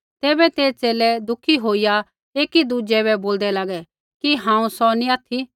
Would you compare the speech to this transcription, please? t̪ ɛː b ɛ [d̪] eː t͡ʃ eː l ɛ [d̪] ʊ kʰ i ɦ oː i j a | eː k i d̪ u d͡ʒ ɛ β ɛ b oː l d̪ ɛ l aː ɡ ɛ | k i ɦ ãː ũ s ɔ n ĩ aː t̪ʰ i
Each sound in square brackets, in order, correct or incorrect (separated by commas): incorrect, correct